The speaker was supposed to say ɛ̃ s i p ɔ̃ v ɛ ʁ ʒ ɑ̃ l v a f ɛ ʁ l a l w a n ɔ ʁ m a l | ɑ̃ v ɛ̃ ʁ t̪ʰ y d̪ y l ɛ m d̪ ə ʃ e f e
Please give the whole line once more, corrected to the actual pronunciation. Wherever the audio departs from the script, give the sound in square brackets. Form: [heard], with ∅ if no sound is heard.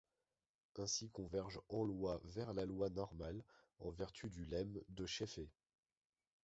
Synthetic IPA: ɛ̃ s i [k] ɔ̃ v ɛ ʁ ʒ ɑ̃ l [w] a [v] ɛ ʁ l a l w a n ɔ ʁ m a l | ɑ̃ v [ɛ] ʁ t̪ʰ y d̪ y l ɛ m d̪ ə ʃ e f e